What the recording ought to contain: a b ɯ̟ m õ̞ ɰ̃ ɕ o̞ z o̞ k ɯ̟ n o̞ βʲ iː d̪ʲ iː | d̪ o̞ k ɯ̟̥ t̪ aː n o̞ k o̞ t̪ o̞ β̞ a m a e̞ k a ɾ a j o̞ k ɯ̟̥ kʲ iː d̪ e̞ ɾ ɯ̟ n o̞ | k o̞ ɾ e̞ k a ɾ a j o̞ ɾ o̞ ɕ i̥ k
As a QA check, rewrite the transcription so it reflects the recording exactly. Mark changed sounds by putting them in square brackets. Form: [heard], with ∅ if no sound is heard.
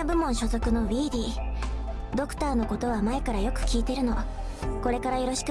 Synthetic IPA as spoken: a b ɯ̟ m õ̞ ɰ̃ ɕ o̞ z o̞ k ɯ̟ n o̞ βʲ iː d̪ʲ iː | d̪ o̞ k ɯ̟̥ t̪ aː n o̞ k o̞ t̪ o̞ β̞ a m a e̞ k a ɾ a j o̞ k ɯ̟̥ kʲ iː [t̪] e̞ ɾ ɯ̟ n o̞ | k o̞ ɾ e̞ k a ɾ a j o̞ ɾ o̞ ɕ i̥ k